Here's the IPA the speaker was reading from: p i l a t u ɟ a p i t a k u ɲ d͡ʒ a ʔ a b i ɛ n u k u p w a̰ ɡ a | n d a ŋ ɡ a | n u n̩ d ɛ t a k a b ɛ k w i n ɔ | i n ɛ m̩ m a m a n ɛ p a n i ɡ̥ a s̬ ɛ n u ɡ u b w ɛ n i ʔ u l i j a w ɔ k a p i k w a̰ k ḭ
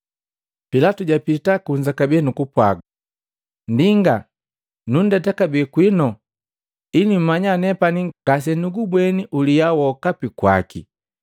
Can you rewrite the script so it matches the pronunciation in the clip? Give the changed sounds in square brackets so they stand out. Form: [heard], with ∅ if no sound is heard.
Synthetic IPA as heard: p i l a t u ɟ a p i t a k u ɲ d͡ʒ a [k] a b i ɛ n u k u p w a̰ ɡ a | n d [i] ŋ ɡ a | n u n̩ d ɛ t a k a b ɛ k w i n ɔ | i n [i] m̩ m a [ɲ] a n ɛ p a n i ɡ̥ a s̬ ɛ n u ɡ u b w ɛ n i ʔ u l i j a w ɔ k a p i k w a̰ k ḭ